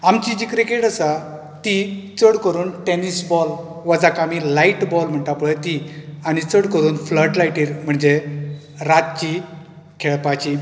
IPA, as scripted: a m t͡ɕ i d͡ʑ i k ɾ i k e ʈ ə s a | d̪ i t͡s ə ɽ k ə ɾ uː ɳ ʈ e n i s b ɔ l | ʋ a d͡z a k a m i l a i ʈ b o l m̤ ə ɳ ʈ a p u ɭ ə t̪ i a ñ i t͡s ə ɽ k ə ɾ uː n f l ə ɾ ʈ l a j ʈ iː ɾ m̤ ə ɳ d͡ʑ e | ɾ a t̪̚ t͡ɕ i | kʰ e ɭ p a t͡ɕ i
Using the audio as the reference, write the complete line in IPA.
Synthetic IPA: a m t͡ɕ i d͡ʑ i k ɾ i k e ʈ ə s a | t̪ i t͡s ə ɽ k ə ɾ uː n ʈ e n i s b ɔ l | ʋ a d͡z a k a m i l a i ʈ b ɔ l m̤ ə ɳ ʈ a p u ɭ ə t̪ i a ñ i t͡s ə ɽ k ə ɾ uː n f l ə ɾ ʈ l a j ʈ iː ɾ m̤ ə ɳ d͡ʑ e | ɾ a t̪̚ t͡ɕ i | kʰ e ɭ p a t͡ɕ i